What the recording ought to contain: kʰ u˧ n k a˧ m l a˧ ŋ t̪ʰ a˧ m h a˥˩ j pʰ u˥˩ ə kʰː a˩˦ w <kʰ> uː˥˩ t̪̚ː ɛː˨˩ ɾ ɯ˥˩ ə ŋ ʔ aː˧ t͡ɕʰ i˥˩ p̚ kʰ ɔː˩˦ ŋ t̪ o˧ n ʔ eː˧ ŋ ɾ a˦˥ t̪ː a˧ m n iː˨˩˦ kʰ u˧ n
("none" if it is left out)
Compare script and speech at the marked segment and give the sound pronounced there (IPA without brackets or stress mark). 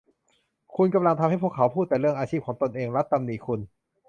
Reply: pʰ